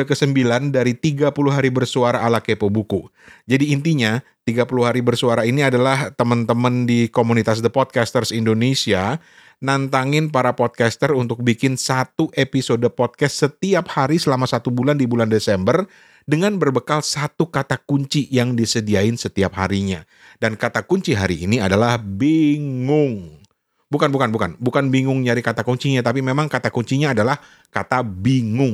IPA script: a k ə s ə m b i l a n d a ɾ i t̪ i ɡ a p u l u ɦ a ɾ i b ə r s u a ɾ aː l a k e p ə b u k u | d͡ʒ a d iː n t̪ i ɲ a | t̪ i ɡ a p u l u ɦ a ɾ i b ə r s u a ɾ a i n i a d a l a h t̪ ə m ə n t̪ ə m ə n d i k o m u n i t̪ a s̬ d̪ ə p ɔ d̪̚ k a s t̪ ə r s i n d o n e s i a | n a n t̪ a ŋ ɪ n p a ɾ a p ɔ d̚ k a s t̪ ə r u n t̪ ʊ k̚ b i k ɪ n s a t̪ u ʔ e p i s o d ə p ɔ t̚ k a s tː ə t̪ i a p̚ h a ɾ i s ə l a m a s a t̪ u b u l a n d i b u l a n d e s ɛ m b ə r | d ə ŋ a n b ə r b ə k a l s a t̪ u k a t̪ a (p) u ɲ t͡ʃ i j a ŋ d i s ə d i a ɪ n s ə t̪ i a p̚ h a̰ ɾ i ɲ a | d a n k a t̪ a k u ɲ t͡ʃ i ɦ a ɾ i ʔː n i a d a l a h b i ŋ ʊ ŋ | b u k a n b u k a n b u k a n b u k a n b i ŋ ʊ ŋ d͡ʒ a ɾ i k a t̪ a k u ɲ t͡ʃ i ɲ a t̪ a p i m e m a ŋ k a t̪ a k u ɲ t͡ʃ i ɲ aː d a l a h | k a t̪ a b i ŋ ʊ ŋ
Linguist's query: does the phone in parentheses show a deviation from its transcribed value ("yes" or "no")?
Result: yes